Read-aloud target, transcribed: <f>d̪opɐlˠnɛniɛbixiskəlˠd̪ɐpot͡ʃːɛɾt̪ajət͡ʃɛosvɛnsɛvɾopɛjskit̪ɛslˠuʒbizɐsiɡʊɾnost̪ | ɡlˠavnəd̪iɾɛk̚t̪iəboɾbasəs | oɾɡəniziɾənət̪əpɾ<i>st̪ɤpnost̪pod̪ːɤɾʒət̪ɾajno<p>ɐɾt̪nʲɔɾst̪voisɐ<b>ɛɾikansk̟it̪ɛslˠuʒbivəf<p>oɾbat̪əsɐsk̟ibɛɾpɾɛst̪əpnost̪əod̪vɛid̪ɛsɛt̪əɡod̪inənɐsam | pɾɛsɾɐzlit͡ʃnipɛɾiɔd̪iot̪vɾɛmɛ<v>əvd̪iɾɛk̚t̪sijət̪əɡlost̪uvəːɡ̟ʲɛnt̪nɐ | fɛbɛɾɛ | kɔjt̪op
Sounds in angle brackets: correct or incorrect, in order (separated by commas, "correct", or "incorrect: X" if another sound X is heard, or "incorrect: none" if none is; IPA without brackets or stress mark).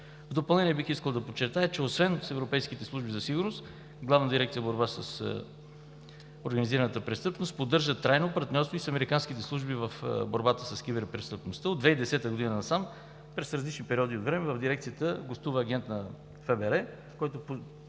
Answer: incorrect: v, incorrect: ɛ, correct, incorrect: m, incorrect: b, correct